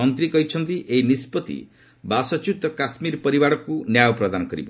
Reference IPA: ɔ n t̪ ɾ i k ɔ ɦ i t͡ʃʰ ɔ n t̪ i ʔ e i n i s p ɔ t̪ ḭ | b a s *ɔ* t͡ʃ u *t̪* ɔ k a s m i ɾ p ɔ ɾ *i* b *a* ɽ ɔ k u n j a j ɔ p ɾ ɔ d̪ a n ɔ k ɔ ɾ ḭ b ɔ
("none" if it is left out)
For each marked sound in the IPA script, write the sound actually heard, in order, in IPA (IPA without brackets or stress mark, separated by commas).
ɔ, t̪, i, a